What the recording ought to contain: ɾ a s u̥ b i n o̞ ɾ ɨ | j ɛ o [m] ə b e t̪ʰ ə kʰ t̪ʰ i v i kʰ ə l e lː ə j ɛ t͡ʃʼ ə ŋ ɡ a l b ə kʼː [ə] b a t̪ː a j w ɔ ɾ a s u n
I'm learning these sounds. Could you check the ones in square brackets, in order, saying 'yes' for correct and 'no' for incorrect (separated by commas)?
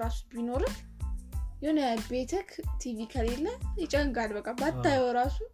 no, no